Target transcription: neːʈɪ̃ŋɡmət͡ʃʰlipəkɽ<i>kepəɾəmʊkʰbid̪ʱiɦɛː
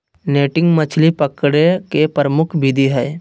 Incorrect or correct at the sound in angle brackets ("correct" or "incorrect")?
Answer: incorrect